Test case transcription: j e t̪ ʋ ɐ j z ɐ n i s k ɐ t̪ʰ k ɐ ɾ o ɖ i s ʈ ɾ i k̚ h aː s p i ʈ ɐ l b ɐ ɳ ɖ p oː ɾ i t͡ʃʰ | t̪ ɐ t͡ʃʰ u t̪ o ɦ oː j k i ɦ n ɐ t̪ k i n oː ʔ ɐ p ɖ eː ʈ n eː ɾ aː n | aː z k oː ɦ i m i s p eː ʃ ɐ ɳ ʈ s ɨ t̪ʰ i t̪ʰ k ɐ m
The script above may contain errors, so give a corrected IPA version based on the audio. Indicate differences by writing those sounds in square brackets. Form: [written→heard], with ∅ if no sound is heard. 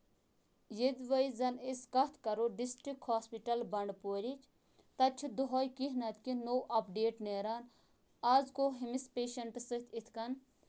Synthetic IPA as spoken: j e [t̪→d̪] ʋ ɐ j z ɐ n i s k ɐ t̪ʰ k ɐ ɾ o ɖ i s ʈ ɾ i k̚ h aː s p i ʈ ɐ l b ɐ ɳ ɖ p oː ɾ i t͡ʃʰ | t̪ ɐ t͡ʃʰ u [t̪→d̪] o ɦ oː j k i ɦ n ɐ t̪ k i n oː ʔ ɐ p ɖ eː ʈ n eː ɾ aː n | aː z k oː ɦ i m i s p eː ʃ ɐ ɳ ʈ s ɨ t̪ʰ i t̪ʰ k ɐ [m→n]